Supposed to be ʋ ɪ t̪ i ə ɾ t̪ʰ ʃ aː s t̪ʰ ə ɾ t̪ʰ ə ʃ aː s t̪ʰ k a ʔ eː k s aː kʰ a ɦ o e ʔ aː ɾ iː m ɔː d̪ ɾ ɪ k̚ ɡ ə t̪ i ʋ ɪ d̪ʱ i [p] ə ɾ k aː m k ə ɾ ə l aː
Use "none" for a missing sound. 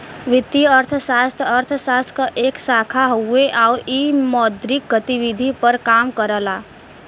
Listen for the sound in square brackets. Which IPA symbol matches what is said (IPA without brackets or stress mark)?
p